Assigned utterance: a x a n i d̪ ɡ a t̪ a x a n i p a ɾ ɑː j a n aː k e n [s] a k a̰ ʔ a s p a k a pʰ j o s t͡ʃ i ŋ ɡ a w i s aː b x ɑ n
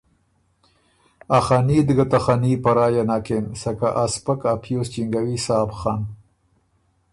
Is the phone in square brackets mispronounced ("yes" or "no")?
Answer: no